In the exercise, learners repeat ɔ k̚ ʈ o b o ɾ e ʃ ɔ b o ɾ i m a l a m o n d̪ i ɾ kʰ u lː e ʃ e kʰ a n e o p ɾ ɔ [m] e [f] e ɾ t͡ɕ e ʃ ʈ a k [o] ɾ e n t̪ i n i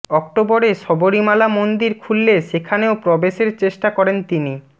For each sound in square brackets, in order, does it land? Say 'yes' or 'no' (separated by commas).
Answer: no, no, no